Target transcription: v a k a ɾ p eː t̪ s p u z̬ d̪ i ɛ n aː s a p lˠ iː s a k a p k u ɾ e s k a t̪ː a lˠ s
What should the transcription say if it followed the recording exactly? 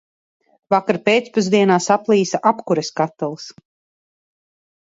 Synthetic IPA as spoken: v a k a ɾ p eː t̪ s p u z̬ d̪ i ɛ n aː s a p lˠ iː s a ʔ a p k u ɾ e s k a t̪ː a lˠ s